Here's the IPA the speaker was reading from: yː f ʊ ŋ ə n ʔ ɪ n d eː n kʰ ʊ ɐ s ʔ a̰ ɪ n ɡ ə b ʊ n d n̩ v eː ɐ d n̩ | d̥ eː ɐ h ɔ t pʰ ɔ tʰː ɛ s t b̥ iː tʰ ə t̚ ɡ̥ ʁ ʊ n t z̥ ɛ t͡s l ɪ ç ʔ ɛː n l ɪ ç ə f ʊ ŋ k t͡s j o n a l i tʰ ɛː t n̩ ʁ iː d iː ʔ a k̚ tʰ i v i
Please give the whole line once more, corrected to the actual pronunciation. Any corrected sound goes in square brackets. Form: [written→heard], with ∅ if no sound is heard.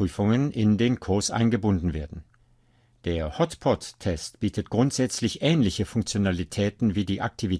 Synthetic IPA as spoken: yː f ʊ ŋ ə n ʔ ɪ n d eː n kʰ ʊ ɐ s ʔ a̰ ɪ n ɡ ə b ʊ n d n̩ v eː ɐ d n̩ | d̥ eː ɐ h ɔ t pʰ ɔ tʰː ɛ s t b̥ iː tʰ ə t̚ ɡ̥ ʁ ʊ n t z̥ ɛ t͡s l ɪ ç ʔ ɛː n l ɪ ç ə f ʊ ŋ k t͡s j o n a l i tʰ ɛː t n̩ [ʁ→v] iː d iː ʔ a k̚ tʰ i v i